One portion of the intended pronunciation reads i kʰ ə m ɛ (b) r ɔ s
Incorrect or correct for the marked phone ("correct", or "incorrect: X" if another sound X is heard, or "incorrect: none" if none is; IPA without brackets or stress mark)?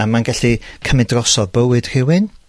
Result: incorrect: d